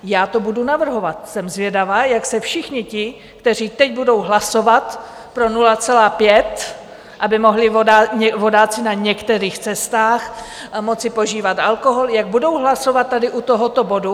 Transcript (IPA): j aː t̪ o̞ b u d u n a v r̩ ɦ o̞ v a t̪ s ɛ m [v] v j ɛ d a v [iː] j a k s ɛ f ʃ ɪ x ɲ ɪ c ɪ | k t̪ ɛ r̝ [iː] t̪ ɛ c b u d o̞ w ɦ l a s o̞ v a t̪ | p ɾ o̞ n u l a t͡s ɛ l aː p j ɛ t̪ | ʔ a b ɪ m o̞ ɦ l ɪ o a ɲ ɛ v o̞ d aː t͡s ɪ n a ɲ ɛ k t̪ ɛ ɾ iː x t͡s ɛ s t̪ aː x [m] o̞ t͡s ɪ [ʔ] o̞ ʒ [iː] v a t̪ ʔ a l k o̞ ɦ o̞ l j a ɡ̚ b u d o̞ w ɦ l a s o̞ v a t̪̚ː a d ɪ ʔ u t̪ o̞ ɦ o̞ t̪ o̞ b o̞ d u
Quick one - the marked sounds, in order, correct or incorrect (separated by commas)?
incorrect, incorrect, correct, correct, incorrect, correct